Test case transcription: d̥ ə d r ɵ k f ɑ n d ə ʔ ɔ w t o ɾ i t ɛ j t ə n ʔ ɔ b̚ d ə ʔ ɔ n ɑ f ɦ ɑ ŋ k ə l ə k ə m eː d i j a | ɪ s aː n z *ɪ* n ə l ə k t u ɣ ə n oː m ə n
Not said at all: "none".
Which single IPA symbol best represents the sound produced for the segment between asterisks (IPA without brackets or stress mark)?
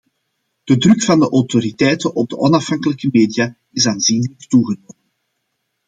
i